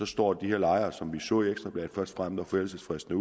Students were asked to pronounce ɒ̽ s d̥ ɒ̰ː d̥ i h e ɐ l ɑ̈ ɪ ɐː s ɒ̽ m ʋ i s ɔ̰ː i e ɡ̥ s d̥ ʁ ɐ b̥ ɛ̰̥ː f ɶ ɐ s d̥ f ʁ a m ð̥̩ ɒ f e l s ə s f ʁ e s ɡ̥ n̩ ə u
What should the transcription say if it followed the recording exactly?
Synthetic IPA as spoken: ɒ̽ s d̥ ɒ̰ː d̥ i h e ɐ l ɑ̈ ɪ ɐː s ɒ̽ m ʋ i s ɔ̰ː i e ɡ̥ s d̥ ʁ ɐ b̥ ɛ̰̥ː f ɶ ɐ s d̥ f ʁ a m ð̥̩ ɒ f e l s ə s f ʁ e s d̥ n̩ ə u